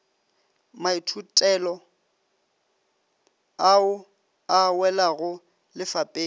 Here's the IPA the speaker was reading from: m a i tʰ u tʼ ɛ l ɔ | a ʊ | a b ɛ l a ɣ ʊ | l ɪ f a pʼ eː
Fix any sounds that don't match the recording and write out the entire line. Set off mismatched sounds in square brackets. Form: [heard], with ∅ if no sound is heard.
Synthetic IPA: m a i tʰ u tʼ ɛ l ɔ | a ʊ | a [w] ɛ l a ɣ ʊ | l ɪ f a pʼ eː